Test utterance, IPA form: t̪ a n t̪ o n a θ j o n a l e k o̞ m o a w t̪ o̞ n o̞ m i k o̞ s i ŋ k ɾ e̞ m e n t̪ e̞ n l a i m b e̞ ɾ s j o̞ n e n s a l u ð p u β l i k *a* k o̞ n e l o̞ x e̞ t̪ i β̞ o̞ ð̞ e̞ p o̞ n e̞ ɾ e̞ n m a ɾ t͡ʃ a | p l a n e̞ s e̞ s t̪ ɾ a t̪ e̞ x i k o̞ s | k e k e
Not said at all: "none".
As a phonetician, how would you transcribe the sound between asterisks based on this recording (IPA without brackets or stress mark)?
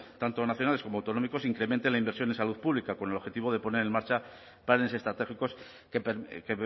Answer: a